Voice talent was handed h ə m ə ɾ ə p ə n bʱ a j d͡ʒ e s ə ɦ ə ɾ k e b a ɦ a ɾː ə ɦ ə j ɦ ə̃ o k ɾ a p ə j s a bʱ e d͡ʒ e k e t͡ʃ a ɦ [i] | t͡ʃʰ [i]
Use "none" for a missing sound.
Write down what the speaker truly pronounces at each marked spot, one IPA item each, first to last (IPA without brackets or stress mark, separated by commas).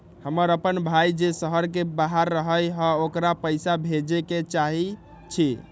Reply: i, i